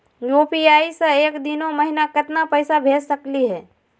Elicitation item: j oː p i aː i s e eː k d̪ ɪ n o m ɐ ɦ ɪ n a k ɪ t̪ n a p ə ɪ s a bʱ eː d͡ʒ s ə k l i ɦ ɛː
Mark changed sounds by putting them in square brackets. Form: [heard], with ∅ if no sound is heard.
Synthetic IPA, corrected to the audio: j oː p i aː i s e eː k d̪ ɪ n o m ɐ ɦ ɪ n a k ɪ t̪ n a p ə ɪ s a bʱ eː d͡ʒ s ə k l i ɦ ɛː